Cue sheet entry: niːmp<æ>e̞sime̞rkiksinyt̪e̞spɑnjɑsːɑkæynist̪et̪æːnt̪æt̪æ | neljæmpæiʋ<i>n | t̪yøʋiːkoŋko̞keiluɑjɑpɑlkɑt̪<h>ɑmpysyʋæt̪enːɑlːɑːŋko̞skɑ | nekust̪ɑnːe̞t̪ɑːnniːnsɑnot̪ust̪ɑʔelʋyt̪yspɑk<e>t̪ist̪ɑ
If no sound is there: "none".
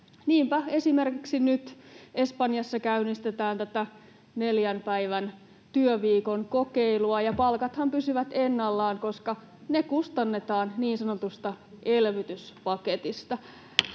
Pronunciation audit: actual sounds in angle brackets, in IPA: æ, æ, h, e

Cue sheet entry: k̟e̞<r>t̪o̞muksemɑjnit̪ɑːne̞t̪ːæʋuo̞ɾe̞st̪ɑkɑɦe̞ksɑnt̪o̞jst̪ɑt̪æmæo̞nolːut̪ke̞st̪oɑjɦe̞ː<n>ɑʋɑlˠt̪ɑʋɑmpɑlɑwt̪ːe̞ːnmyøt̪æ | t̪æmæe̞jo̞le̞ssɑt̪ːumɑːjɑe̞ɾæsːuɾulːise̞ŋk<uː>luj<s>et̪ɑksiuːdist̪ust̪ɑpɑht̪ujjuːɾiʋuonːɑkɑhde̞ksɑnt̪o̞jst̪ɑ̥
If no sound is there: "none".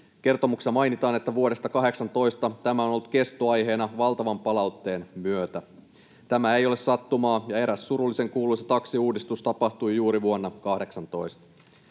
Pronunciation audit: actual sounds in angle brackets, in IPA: r, n, uː, s

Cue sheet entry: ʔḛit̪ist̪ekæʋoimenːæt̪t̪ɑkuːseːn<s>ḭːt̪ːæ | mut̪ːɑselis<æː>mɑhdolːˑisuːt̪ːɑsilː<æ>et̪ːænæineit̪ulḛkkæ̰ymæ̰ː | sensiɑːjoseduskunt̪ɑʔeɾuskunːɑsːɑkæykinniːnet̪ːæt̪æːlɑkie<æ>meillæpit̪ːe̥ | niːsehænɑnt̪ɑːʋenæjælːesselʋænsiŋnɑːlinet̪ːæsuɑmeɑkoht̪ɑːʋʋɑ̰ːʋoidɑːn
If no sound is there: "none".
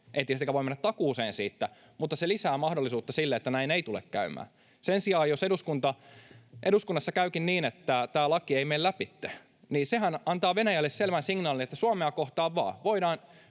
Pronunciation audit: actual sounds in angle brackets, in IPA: s, æː, e, i

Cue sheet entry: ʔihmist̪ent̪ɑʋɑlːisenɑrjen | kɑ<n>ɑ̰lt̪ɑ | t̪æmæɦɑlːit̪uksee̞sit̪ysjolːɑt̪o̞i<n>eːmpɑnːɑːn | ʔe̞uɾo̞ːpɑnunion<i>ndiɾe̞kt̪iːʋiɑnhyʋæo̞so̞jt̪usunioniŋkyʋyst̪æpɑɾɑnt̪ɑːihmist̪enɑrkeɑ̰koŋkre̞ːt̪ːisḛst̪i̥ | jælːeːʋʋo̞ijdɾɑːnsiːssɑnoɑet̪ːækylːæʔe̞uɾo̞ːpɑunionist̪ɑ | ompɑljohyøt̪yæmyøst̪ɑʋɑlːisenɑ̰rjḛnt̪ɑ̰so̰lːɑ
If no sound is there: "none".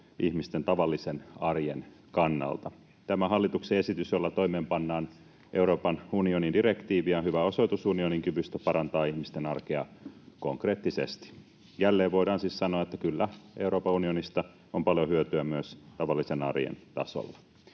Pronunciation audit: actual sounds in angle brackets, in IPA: nː, m, i

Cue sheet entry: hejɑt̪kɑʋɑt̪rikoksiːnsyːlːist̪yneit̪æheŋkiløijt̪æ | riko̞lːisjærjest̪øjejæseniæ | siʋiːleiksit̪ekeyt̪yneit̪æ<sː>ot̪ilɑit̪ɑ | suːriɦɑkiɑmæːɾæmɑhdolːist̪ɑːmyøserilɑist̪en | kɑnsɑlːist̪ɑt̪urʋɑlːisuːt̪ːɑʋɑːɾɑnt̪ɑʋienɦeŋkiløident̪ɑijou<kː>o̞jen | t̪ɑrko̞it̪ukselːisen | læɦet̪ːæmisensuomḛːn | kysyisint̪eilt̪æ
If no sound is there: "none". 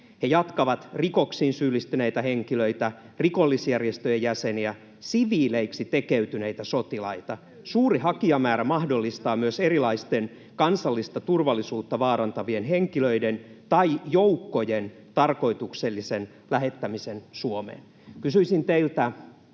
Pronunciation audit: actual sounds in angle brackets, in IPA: s, kː

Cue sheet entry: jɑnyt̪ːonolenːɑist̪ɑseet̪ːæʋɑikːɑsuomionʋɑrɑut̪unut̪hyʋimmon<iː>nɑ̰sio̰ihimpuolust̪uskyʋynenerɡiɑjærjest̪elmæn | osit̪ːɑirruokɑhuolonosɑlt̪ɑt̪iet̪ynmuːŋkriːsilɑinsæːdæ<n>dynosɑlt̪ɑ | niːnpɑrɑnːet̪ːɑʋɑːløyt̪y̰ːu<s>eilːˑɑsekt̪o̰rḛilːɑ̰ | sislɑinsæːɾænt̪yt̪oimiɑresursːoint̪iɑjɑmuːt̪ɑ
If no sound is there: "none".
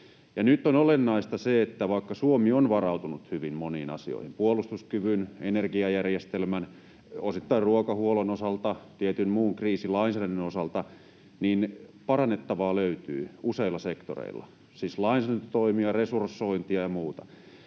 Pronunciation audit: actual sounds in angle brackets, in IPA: iː, n, s

